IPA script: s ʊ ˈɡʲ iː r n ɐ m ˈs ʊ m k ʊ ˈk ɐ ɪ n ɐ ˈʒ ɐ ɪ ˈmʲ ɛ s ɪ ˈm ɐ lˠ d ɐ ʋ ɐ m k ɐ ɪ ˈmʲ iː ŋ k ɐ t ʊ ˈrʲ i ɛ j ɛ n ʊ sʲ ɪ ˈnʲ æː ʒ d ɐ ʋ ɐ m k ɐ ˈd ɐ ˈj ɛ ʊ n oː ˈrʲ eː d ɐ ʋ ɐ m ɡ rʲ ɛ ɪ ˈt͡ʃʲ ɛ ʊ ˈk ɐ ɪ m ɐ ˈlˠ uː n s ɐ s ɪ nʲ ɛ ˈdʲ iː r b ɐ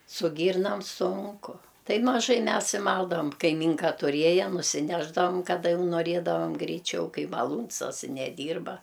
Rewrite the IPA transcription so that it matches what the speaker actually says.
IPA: s ʊ ˈɡʲ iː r n ɐ m ˈs ʊ ŋ k ʊ ˈt ɐ ɪ m ɐ ˈʒ ɐ ɪ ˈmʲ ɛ s ɪ ˈm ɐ lˠ d ɐ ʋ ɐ m k ɐ ɪ ˈmʲ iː ŋ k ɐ t ʊ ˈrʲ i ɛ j ɛ n ʊ sʲ ɪ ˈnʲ æː ʒ d ɐ ʋ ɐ m k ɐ ˈd ɐ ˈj ɛ ʊ n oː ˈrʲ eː d ɐ ʋ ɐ m ɡ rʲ ɛ ɪ ˈt͡ʃʲ ɛ ʊ ˈk ɐ ɪ m ɐ ˈlˠ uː n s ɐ s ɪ nʲ ɛ ˈdʲ iː r b ɐ